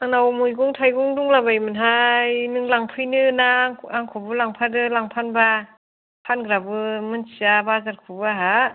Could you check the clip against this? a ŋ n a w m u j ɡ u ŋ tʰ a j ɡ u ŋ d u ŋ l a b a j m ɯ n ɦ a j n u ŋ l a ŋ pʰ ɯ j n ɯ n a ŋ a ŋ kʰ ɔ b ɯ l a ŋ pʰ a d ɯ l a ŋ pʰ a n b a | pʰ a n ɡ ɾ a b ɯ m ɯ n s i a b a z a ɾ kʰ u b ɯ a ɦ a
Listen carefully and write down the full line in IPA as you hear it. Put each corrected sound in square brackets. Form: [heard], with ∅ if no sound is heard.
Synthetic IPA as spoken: a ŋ n a w m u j ɡ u ŋ tʰ a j ɡ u ŋ d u ŋ l a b a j m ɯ n ɦ a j n [ɯ] ŋ l a ŋ pʰ ɯ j n ɯ n a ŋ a ŋ kʰ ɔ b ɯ l a ŋ pʰ a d ɯ l a ŋ pʰ a n b a | pʰ a n ɡ ɾ a b ɯ m ɯ n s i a b a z a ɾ kʰ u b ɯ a ɦ a